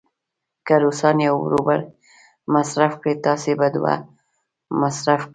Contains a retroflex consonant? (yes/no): yes